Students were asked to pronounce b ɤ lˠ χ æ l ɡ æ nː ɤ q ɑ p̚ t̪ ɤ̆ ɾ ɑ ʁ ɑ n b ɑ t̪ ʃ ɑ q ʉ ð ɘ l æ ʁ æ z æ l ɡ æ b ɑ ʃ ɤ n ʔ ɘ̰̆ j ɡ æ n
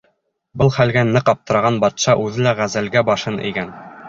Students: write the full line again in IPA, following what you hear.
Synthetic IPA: b ɤ lˠ χ æ l ɡ æ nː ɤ q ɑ p̚ t̪ ɤ̆ ɾ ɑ ʁ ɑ n b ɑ t̪ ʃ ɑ ʔ ʉ ð ɘ l æ ʁ æ z æ l ɡ æ b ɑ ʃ ɤ n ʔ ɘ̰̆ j ɡ æ n